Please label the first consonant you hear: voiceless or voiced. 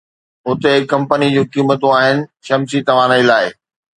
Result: voiceless